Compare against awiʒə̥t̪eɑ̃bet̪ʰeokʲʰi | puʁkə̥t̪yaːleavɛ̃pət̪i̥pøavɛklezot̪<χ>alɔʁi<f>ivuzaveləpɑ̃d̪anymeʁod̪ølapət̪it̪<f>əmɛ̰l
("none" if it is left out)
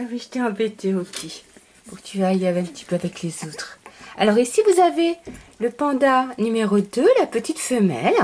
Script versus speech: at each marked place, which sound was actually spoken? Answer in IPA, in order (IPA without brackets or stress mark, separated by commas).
χ, s, f